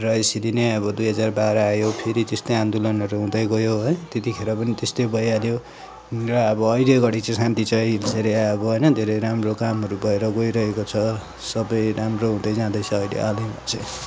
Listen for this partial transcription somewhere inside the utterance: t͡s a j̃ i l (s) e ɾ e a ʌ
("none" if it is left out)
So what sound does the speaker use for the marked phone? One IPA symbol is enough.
s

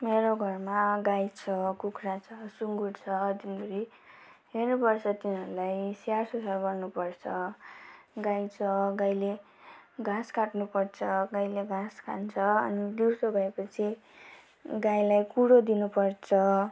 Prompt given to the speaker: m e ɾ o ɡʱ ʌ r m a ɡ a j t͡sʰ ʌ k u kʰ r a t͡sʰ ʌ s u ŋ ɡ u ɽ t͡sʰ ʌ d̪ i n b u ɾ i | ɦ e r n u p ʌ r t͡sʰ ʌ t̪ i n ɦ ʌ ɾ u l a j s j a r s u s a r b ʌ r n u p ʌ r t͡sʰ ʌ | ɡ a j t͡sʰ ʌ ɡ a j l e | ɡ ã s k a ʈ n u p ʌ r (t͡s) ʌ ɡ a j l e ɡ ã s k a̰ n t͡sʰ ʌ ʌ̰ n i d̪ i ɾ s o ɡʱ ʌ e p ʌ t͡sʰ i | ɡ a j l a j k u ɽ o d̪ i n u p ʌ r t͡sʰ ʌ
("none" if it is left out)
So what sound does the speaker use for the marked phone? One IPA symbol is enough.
t͡sʰ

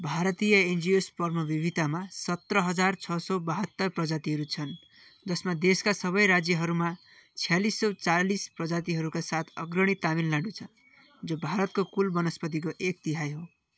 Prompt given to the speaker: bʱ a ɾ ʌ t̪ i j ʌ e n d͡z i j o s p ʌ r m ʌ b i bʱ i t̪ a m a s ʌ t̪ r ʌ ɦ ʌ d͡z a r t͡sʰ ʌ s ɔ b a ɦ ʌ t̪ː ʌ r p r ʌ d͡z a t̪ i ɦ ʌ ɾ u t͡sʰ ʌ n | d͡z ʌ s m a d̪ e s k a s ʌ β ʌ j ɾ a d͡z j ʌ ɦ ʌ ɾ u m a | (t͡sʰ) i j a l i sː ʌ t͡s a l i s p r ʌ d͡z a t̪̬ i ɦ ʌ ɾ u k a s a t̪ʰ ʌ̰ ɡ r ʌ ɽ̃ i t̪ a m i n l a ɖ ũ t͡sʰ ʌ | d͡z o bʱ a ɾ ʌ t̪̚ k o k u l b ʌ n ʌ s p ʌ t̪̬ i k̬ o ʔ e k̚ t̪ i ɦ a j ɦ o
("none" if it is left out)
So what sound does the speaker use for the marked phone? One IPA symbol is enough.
t͡sʰ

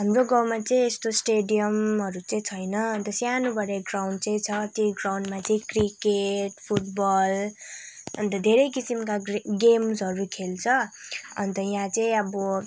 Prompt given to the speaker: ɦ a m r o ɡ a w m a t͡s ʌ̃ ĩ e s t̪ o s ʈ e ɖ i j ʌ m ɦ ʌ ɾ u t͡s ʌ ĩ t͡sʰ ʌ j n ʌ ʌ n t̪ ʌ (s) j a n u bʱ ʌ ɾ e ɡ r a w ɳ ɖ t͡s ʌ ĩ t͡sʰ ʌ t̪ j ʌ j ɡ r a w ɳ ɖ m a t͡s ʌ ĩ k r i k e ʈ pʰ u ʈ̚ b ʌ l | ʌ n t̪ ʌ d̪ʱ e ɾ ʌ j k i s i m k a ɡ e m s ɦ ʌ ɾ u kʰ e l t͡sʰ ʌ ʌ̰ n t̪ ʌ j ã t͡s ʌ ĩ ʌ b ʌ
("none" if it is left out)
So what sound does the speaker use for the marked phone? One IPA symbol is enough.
s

